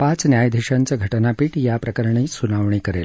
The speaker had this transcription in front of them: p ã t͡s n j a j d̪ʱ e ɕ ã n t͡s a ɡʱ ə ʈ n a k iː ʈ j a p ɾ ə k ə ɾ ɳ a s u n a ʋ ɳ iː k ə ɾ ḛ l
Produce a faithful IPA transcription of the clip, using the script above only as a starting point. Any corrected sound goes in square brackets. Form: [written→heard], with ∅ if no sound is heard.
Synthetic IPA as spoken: p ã t͡s n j a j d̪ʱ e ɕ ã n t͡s a ɡʱ ə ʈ n a [k→p] iː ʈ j a p ɾ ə k ə ɾ ɳ [a→i] s u n a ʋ ɳ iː k ə ɾ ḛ l